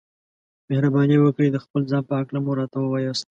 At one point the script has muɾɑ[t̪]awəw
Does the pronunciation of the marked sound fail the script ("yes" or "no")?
no